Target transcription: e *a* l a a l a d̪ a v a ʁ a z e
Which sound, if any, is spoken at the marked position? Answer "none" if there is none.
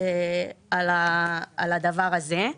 a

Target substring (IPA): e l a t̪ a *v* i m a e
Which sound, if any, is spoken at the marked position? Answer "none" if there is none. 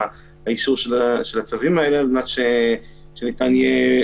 v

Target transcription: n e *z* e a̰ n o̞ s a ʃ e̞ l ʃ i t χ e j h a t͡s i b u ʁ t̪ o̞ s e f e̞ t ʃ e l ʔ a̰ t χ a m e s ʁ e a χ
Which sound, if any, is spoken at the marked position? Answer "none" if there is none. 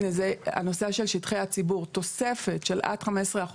z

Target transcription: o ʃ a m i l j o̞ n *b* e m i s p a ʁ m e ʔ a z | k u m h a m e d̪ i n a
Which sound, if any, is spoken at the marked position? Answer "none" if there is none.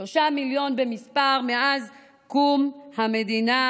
b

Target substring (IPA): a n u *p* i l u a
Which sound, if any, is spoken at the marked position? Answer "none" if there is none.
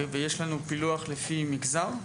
p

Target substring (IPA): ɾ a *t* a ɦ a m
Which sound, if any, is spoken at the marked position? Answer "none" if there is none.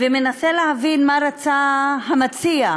t͡s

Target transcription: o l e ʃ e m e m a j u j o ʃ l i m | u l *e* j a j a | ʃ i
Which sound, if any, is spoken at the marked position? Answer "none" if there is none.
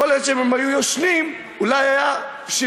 a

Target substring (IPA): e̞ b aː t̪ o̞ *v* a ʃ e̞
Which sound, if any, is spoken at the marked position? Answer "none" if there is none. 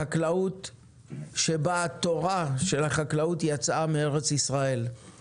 ʁ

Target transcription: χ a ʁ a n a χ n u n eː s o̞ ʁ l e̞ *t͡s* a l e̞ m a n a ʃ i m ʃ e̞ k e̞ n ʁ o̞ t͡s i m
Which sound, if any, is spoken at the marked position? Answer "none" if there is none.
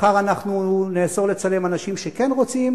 t͡s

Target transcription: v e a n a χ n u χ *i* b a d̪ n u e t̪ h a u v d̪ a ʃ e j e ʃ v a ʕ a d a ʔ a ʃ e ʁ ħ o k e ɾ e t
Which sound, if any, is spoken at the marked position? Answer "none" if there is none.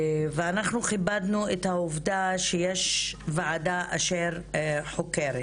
i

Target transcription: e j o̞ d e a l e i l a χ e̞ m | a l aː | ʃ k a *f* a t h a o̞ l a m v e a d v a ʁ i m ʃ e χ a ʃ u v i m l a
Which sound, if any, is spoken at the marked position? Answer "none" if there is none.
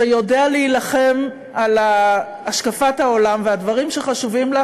f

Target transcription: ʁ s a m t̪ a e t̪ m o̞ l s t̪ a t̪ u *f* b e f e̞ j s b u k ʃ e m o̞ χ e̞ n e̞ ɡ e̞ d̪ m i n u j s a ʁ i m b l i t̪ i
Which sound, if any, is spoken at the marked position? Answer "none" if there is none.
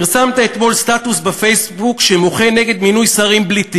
s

